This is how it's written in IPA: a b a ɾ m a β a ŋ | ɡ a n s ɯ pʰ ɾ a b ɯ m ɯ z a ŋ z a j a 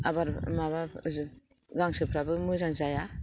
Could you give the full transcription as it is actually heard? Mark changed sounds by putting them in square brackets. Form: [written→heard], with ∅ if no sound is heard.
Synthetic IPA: a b a ɾ m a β a [ŋ→∅] | ɡ a [n→ŋ] s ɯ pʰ ɾ a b ɯ m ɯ z a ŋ z a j a